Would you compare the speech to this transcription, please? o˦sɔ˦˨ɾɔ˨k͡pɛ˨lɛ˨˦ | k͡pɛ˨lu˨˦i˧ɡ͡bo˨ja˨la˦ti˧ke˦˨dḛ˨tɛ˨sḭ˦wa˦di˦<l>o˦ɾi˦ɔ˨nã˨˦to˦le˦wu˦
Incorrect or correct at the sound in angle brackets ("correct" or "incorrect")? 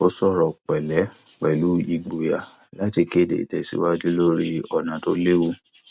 correct